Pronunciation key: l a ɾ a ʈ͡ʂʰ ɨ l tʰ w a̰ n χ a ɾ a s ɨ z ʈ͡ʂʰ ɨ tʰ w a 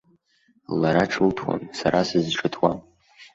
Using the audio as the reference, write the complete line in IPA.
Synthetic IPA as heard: l a ɾ a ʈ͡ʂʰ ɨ l tʰ w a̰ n s a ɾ a s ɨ z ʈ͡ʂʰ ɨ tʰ w a